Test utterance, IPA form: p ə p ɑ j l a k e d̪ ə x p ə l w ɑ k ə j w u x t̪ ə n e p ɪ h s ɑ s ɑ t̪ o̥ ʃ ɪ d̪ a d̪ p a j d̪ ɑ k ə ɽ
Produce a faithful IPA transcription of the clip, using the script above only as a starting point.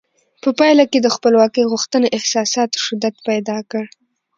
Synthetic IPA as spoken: p ə p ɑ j l a k e d̪ ə x p ə l w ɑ k ə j ɣ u x t̪ ə n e ʔ ɪ h s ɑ s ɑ t̪ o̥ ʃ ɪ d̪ a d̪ p a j d̪ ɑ k ə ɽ

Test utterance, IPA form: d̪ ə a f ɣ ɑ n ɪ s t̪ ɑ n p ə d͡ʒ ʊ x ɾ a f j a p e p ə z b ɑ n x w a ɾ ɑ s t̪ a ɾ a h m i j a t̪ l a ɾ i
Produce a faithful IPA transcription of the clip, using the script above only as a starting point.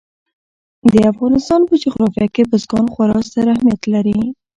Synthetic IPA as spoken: d̪ ə a f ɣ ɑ n ɪ s t̪ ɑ n p ə d͡ʒ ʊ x ɾ ɑ f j a k e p ə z ɡ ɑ n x w a ɾ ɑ s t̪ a ɾ a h m i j a t̪ l a ɾ i

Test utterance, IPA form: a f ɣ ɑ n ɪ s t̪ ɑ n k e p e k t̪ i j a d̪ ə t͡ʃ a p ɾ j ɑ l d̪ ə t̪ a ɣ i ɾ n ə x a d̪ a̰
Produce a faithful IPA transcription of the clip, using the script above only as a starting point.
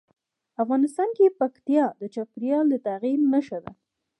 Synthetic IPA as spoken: a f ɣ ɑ n ɪ s t̪ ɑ n k e p a k t̪ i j ɑ d̪ ə t͡ʃ a p ɾ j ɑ l d̪ ə t̪ a ɣ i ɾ n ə ʃ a d̪ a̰

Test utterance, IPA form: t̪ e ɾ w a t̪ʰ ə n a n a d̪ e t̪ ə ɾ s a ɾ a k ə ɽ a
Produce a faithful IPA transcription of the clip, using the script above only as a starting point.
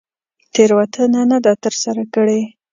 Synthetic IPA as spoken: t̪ e ɾ w a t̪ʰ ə n a n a d̪ a t̪ ə ɾ s a ɾ a k ə ɽ e

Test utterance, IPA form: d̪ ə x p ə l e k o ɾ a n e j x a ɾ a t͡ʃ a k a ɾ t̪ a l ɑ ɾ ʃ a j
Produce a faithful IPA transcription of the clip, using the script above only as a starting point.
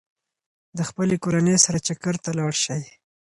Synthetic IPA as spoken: d̪ ə x p ə l e k o ɾ a n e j s a ɾ a t͡ʃ a k a ɾ t̪ a l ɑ ɽ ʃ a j

